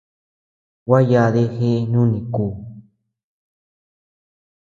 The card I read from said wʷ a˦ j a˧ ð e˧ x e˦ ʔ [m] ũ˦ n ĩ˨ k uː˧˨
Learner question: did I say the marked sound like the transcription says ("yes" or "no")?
no